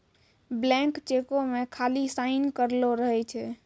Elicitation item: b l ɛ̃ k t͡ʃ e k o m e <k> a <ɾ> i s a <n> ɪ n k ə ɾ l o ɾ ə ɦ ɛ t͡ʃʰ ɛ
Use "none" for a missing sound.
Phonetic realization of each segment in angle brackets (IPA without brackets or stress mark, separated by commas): kʰ, l, none